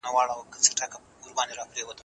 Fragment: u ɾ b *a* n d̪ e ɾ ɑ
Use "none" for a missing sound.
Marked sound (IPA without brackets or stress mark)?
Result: ɑ